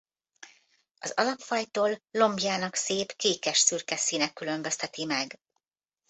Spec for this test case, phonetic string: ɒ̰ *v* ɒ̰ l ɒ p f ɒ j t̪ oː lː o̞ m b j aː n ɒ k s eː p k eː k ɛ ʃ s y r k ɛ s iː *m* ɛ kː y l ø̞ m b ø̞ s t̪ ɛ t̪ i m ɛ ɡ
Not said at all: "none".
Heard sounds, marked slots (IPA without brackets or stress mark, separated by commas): z, n